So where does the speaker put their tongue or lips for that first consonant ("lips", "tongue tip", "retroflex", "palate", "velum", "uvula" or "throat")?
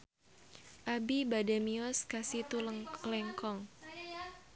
throat